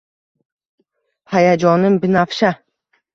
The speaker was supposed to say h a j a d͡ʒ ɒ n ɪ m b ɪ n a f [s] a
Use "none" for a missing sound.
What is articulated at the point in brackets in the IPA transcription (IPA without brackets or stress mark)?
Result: ʃ